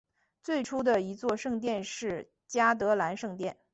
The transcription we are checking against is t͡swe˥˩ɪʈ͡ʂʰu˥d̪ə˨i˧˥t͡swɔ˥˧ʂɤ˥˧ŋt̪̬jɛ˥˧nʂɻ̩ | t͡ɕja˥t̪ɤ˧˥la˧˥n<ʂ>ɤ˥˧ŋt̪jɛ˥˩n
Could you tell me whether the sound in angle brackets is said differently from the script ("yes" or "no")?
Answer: no